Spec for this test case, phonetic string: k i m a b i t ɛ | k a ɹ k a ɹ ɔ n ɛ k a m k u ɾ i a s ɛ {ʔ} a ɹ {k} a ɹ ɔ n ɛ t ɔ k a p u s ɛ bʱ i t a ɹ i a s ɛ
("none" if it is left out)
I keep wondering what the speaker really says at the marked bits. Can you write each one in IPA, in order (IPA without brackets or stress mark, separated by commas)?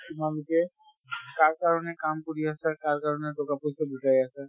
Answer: k, k